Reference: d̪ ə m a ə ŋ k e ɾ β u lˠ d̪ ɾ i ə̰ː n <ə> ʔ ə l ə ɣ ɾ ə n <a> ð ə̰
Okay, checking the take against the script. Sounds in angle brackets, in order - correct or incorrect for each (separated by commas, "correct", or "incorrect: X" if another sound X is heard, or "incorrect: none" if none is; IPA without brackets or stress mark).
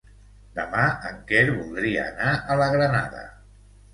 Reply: incorrect: a, correct